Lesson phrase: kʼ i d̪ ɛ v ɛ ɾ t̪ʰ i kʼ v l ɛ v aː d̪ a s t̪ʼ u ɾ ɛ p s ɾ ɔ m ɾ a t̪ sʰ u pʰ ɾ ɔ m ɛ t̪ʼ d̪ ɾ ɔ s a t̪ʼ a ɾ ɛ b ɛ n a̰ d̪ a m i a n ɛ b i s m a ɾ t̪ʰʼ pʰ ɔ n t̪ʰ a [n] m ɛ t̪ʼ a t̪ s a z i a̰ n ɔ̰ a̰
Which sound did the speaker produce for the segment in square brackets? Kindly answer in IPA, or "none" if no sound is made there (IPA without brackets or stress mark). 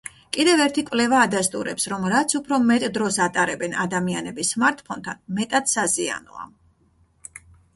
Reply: n